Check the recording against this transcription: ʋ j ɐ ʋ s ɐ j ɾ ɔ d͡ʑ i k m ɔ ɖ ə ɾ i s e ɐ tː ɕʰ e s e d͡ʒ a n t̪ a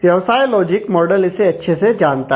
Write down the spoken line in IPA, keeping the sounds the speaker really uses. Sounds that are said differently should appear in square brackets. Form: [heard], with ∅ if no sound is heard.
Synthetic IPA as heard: ʋ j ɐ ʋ s [a] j [l] ɔ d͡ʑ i k m ɔ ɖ ə [l] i s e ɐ tː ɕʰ e s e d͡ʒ a n t̪ a